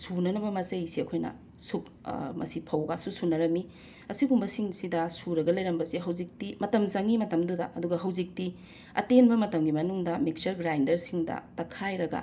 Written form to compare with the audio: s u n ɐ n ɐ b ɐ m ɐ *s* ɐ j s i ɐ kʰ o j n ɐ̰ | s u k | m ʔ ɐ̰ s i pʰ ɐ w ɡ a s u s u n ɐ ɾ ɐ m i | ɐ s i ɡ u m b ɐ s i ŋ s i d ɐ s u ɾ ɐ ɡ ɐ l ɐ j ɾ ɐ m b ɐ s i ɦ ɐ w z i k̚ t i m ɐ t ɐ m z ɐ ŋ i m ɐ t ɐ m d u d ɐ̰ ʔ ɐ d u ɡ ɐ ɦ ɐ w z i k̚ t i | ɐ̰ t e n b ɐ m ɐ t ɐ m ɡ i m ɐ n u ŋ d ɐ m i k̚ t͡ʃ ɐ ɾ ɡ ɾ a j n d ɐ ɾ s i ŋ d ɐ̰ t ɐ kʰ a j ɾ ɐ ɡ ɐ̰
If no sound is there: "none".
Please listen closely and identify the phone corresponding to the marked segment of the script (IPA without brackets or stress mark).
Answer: s